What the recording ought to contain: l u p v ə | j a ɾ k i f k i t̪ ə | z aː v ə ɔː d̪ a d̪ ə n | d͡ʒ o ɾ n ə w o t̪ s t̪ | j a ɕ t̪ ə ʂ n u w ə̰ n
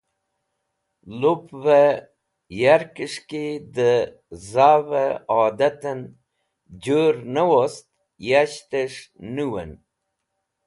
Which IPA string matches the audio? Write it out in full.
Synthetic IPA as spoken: l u p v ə | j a ɾ k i ʂ k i d̪ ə | z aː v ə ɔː d̪ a t̪ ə n | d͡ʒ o ɾ n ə w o s t̪ | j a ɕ t̪ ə ʂ n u w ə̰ n